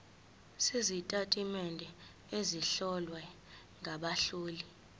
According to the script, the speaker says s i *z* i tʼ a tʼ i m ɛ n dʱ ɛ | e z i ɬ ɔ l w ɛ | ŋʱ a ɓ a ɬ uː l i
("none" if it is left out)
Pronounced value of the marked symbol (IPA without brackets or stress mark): z